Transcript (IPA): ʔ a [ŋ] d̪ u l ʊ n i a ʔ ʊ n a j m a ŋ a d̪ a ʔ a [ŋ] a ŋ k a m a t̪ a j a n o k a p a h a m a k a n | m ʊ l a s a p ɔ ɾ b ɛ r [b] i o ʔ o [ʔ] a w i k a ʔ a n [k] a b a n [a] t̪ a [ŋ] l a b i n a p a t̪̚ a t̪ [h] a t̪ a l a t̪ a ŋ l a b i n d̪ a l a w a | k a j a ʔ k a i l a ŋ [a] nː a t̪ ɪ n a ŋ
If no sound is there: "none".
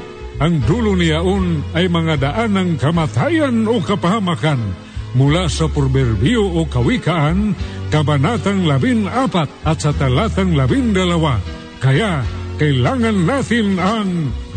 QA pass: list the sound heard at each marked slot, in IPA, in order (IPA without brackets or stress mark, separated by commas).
ŋ, n, b, k, k, a, ŋ, s, a